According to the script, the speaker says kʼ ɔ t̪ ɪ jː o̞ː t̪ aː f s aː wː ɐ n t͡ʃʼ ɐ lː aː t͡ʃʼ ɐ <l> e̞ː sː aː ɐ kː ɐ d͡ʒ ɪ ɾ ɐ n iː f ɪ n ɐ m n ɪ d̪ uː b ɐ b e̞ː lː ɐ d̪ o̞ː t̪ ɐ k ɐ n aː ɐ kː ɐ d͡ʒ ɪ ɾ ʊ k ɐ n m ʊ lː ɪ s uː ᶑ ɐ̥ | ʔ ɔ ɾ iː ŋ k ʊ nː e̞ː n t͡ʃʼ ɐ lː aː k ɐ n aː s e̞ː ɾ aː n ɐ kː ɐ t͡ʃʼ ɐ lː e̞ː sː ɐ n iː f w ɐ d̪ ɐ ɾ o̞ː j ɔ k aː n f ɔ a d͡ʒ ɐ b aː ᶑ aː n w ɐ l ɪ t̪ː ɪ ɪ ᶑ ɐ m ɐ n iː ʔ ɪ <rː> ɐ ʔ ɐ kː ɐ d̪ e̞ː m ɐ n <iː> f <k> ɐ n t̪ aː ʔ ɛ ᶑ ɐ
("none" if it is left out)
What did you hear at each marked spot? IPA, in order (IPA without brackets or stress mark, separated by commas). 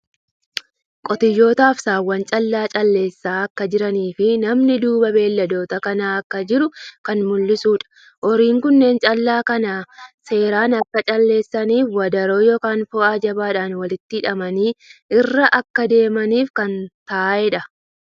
lː, rː, iː, k